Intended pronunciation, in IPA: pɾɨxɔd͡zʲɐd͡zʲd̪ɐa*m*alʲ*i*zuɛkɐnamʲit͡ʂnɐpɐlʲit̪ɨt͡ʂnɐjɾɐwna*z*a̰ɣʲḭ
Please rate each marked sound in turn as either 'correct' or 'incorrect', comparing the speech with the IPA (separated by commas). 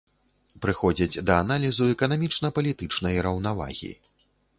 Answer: incorrect, correct, incorrect